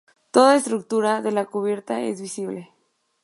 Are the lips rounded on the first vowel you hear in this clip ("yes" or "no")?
yes